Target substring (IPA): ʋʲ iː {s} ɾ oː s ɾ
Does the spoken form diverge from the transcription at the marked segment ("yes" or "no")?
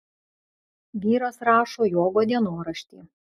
yes